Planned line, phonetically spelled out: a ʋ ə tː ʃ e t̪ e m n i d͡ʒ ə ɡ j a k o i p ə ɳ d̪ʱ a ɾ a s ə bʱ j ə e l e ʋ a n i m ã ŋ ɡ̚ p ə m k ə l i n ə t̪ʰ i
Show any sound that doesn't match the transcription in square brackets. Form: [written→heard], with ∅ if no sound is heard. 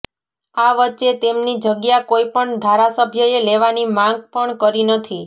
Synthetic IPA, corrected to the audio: a ʋ ə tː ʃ e t̪ e m n i d͡ʒ ə ɡ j a k o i p ə ɳ d̪ʱ a ɾ a s ə bʱ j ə e l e ʋ a n i m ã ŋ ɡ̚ p ə [m→ɳ] k ə [l→ɾ] i n ə t̪ʰ i